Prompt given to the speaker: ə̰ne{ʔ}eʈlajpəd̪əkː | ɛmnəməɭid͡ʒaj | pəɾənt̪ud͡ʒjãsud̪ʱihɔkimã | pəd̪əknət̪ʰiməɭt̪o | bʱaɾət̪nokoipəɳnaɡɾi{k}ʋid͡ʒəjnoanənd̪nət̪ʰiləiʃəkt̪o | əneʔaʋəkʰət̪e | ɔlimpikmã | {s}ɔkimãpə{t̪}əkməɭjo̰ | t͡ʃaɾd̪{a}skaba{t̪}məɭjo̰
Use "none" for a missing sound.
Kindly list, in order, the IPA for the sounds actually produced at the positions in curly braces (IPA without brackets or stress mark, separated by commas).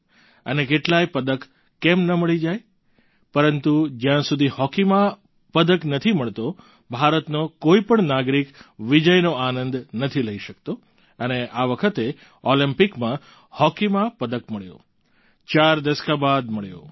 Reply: k, k, h, d̪, ə, d̪